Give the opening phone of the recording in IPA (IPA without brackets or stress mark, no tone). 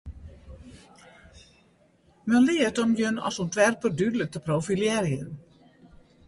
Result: m